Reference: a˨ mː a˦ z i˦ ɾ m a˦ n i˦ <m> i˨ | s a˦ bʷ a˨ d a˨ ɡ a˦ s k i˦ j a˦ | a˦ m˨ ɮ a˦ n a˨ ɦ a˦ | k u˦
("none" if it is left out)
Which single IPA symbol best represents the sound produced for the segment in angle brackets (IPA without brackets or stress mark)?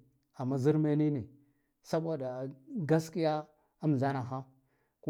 n